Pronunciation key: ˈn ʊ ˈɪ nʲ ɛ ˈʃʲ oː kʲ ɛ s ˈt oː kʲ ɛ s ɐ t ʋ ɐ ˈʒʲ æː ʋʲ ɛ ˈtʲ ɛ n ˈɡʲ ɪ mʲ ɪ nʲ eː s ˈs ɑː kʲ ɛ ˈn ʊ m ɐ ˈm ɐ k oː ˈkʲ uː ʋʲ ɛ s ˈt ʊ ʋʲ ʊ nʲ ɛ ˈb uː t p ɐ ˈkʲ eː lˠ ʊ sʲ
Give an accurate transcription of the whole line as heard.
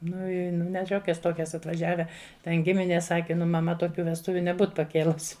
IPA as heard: ˈn ʊ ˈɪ nʲ ɛ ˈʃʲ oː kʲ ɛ s ˈt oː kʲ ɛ s ɐ t ʋ ɐ ˈʒʲ æː ʋʲ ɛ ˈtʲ ɛ n ˈɡʲ ɪ mʲ ɪ nʲ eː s ˈs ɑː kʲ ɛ ˈn ʊ m ɐ ˈm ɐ t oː ˈkʲ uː ʋʲ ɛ s ˈt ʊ ʋʲ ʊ nʲ ɛ ˈb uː t p ɐ ˈkʲ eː lˠ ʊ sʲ